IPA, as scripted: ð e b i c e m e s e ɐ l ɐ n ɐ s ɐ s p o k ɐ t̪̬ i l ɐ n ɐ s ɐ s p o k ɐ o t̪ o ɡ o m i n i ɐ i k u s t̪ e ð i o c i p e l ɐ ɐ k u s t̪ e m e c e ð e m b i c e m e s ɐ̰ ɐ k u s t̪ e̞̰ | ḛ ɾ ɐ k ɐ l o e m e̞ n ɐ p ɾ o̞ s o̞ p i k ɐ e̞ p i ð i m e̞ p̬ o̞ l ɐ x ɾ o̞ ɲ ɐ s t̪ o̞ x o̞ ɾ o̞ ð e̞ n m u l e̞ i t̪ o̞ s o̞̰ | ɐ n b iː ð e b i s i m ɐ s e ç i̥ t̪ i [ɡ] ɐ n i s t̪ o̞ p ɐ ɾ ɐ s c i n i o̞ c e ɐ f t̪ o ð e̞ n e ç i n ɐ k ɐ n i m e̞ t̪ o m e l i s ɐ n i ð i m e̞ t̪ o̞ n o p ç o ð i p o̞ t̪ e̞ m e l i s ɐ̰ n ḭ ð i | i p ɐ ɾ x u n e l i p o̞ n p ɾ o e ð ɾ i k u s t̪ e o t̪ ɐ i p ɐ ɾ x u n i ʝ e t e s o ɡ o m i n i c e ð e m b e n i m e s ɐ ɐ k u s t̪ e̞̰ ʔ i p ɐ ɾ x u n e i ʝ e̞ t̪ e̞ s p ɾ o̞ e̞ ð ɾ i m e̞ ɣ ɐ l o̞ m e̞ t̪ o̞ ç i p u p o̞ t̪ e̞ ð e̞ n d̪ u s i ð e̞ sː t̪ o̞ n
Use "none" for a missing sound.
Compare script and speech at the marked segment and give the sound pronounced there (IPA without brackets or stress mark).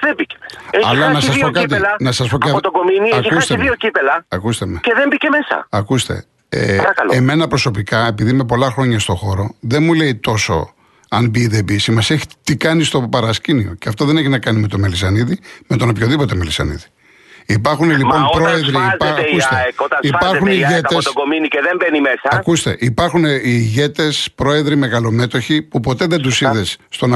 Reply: k